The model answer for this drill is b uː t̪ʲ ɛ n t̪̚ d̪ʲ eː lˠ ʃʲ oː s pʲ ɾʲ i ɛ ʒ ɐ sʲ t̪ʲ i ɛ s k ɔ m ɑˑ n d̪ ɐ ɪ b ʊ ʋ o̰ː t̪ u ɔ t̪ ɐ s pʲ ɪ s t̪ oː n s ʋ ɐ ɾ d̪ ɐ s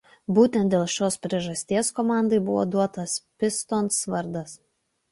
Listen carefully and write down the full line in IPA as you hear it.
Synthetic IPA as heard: b uː t̪ʲ ɛ n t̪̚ d̪ʲ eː lˠ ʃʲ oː s pʲ ɾʲ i ɛ ʒ ɐ sʲ t̪ʲ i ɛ s k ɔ m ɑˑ n d̪ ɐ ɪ b ʊ ʋ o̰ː d̪ u ɔ t̪ ɐ s pʲ ɪ s t̪ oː n s ʋ ɐ ɾ d̪ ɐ s

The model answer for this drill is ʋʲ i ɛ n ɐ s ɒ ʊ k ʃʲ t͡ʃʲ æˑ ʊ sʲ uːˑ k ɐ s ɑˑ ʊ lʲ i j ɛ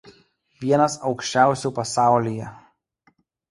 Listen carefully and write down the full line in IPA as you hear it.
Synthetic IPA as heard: ʋʲ i ɛ n ɐ s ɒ ʊ k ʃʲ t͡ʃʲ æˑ ʊ sʲ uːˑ p ɐ s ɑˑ ʊ lʲ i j ɛ

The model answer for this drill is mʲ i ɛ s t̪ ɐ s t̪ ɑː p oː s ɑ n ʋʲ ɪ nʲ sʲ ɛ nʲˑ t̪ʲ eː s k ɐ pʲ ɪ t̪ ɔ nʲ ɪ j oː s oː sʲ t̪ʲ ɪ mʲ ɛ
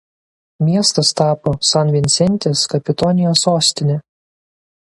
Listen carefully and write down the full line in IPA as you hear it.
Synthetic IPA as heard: mʲ i ɛ s t̪ ɐ s t̪ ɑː p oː s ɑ n ʋʲ ɪ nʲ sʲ ɛ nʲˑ t̪ʲ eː s k ɐ pʲ ɪ t̪ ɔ nʲ ɪ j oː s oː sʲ t̪ʲ ɪ nʲ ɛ

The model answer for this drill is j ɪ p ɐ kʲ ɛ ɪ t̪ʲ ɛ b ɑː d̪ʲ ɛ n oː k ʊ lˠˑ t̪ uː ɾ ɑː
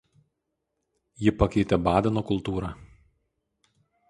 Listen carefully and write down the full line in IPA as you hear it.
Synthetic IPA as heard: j ɪ p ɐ kʲ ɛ ɪ t̪ʲ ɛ b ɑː d̪ʲ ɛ n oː k ʊ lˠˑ t̪ uː ɾ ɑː

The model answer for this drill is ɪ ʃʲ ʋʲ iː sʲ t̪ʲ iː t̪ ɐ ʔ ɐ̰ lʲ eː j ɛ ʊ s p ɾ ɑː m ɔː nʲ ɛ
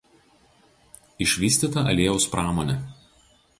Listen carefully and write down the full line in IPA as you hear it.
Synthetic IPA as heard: ɪ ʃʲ ʋʲ iː sʲ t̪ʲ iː t̪ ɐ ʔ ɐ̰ lʲ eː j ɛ ʊ s p ɾ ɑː m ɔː nʲ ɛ

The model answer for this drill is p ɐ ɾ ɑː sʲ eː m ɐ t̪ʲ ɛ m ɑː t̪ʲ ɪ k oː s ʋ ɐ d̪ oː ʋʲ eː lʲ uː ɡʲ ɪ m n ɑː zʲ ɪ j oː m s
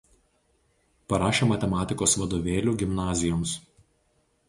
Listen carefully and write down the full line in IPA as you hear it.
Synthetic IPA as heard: p ɐ ɾ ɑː ʃʲ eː m ɐ t̪ʲ ɛ m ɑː t̪ʲ ɪ k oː s ʋ ɐ d̪ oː ʋʲ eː lʲ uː ɡʲ ɪ m n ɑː zʲ ɪ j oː m s

